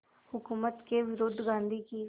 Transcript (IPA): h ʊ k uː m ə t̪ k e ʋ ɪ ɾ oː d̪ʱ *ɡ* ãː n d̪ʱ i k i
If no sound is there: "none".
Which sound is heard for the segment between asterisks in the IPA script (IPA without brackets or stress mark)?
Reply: ɡ